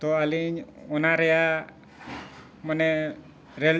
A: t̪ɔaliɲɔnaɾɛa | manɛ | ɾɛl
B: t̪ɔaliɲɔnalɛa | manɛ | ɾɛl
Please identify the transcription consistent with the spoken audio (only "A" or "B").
A